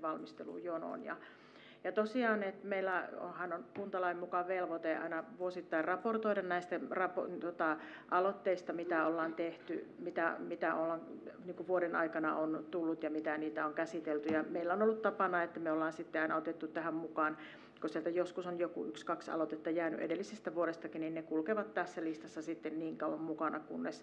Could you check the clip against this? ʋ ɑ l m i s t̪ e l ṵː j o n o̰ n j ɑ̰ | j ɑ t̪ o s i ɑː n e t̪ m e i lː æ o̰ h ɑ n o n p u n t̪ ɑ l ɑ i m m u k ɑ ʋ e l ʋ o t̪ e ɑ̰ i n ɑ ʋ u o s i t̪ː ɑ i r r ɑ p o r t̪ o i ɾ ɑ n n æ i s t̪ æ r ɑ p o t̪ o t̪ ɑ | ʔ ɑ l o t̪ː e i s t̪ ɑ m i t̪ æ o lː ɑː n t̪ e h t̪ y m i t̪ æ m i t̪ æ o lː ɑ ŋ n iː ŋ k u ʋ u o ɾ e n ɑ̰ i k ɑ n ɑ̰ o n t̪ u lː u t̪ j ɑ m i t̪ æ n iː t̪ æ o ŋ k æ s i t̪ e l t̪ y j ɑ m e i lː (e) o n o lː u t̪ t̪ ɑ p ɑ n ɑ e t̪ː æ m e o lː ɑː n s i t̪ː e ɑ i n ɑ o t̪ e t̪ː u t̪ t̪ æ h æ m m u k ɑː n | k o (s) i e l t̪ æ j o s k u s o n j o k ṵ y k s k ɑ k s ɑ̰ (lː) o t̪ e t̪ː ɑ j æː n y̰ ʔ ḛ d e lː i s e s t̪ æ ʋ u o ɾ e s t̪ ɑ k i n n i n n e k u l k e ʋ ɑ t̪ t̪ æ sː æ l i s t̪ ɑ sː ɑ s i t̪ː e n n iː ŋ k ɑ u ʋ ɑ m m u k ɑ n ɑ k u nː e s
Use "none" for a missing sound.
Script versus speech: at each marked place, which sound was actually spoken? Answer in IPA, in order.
æ, s, l

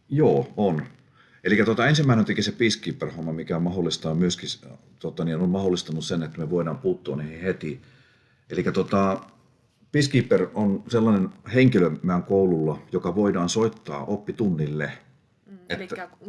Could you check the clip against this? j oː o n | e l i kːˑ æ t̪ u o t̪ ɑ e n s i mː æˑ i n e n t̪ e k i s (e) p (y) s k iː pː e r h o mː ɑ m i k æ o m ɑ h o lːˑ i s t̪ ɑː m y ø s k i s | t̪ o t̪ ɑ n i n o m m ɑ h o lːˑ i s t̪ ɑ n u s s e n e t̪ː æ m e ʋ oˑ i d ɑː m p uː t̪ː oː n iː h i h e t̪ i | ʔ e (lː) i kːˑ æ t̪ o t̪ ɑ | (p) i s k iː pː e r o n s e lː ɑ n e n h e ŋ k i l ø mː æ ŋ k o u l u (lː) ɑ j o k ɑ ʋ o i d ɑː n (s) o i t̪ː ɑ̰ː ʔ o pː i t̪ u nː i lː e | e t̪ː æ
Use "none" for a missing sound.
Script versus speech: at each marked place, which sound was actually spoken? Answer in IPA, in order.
e, i, l, p, lː, s

